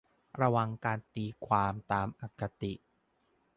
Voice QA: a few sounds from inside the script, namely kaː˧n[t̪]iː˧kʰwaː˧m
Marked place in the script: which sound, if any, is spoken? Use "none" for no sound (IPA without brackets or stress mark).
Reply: t̪